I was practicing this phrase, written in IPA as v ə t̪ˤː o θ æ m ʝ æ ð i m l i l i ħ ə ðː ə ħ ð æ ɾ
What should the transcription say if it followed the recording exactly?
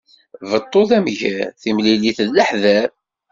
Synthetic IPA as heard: v ə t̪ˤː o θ æ m ʝ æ θ i m l i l i θ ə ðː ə ħ ð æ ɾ